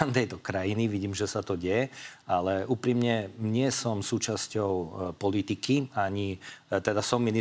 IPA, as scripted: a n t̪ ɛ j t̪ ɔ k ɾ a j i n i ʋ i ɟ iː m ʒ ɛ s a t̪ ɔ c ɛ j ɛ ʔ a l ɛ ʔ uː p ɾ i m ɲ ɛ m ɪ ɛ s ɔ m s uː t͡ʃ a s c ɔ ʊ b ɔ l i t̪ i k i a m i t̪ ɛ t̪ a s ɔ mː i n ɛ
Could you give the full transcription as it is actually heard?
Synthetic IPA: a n t̪ ɛ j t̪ ɔ k ɾ a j i n i ʋ i ɟ iː m ʒ ɛ s a t̪ ɔ ɟ ɛ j ɛ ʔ a l ɛ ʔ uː p ɾ i m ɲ ɛ ɲ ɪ ɛ s ɔ m s uː t͡ʃ a s c ɔ ʊ p ɔ l i t̪ i k i a ɲ i t̪ ɛ d̪ a s ɔ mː i n i